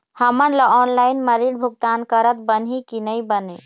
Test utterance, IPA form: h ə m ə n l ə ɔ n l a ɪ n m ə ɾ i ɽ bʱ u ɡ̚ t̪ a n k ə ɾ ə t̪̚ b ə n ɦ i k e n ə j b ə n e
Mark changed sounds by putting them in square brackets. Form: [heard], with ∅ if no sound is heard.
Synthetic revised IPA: h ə m ə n l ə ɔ n l a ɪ n m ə ɾ i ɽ bʱ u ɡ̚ t̪ a n k ə ɾ ə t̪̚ b ə n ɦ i k [i] n ə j b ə n e